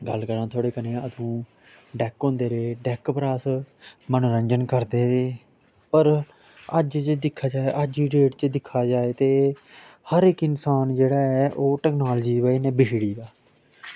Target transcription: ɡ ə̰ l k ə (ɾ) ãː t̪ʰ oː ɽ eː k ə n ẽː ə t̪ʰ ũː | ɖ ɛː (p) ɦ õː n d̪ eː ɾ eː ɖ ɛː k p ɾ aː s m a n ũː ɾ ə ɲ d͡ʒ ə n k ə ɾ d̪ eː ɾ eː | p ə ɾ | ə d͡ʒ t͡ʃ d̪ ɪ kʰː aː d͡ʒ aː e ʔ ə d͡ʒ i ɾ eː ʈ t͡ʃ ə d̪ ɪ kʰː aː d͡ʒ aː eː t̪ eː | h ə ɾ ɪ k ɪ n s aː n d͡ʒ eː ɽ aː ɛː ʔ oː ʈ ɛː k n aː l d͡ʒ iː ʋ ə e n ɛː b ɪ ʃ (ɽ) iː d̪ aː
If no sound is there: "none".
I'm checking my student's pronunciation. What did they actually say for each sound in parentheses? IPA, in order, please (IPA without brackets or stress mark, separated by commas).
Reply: ɾ, k, ɽ